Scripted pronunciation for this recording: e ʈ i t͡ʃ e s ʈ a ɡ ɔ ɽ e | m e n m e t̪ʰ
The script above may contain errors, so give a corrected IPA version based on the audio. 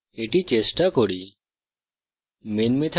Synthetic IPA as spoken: e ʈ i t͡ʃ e s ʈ a k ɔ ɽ i | m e n m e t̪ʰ